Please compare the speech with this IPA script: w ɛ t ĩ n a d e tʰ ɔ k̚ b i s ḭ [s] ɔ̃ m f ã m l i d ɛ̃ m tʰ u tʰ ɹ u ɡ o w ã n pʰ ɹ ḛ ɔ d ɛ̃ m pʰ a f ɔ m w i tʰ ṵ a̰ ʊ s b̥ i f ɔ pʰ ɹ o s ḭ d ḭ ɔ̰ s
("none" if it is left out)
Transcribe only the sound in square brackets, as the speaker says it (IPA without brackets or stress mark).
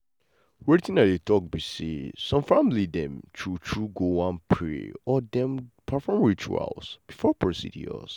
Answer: s